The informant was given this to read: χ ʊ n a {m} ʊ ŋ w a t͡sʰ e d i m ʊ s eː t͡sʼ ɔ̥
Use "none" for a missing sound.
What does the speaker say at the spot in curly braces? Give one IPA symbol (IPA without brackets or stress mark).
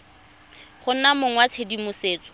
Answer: m